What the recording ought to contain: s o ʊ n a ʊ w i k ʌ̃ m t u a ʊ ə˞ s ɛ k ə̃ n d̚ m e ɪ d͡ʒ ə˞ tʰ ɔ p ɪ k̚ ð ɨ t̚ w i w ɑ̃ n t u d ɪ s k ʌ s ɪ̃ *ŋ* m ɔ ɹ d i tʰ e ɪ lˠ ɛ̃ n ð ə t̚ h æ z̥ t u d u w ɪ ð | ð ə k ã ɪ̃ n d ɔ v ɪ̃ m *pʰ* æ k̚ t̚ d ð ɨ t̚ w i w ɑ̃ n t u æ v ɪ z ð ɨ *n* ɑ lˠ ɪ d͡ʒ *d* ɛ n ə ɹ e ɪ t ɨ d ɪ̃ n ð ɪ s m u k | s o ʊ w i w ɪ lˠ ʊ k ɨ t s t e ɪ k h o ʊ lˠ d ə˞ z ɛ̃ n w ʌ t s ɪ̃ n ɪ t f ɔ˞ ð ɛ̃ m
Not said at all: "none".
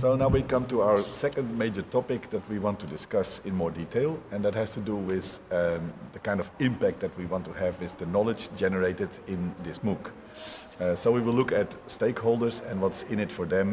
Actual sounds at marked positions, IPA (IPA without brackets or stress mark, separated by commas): n, p, n, d͡ʒ